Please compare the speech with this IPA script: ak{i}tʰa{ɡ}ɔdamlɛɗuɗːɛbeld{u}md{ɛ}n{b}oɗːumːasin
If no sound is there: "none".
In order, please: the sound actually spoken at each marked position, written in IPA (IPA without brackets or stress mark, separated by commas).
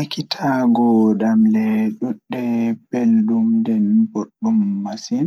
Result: i, ɡ, u, ɛ, b